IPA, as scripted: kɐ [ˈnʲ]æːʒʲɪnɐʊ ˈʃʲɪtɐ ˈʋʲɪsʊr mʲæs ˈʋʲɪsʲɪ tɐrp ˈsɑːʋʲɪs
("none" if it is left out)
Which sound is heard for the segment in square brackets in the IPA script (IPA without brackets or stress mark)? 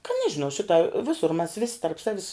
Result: nʲ